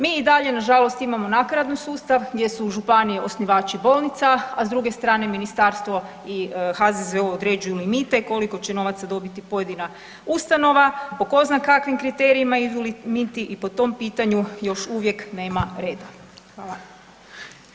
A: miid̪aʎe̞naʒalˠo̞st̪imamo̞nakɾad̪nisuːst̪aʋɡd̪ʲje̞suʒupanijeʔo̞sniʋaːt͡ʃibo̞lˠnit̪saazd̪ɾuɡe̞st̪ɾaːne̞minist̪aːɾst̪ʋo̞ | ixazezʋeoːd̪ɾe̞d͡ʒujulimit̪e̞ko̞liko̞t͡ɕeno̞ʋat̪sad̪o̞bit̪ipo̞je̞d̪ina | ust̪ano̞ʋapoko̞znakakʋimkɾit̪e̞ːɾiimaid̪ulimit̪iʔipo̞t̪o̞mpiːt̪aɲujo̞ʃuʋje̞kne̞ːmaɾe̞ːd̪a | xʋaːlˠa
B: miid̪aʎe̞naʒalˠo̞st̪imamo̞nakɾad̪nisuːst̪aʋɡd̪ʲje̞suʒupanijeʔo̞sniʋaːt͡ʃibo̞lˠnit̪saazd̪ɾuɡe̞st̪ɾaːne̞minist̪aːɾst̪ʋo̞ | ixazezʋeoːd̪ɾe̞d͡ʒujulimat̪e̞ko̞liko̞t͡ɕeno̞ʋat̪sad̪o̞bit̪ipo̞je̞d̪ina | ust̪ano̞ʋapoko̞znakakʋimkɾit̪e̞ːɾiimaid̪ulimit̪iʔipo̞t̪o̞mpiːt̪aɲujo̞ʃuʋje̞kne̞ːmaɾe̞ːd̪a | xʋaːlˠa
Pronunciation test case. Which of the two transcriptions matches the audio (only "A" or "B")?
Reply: A